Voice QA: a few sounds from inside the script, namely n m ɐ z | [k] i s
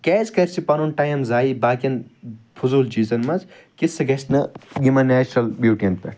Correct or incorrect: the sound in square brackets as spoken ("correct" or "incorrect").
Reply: correct